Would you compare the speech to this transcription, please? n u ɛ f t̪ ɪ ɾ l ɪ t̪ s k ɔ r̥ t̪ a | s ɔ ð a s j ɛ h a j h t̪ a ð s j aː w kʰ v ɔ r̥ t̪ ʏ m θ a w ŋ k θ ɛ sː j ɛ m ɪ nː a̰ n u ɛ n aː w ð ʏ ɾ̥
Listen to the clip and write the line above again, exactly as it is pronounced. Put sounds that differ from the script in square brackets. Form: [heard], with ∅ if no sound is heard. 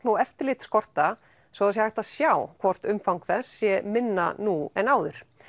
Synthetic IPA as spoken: n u ɛ f t̪ ɪ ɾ l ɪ t̪ s k ɔ r̥ t̪ a | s ɔ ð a s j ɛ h a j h t̪ a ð s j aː w kʰ v ɔ r̥ t̪ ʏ m [f] a w ŋ k θ ɛ sː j ɛ m ɪ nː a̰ n u ɛ n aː w ð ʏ ɾ̥